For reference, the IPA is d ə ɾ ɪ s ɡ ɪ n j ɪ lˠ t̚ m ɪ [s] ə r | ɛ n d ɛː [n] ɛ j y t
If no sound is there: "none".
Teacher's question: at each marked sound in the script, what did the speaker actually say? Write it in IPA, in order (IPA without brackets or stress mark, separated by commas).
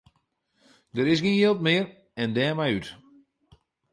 none, m